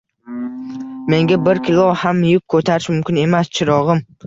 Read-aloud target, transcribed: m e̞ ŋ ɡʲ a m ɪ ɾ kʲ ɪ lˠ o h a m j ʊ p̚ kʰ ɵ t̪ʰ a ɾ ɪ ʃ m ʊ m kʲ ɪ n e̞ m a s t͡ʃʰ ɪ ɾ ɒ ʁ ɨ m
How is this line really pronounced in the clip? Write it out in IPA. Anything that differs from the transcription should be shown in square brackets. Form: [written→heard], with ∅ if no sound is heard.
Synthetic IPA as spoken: m e̞ ŋ ɡʲ a [m→b] ɪ ɾ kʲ ɪ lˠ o h a m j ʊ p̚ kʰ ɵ t̪ʰ a ɾ ɪ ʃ m ʊ m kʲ ɪ n e̞ m a s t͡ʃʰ ɪ ɾ ɒ ʁ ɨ m